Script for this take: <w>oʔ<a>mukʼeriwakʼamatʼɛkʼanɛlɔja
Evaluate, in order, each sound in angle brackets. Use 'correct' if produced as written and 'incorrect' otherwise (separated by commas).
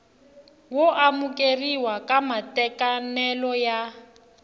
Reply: correct, correct